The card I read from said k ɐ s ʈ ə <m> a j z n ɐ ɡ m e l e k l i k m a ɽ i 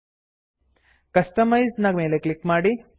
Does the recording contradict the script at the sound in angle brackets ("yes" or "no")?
no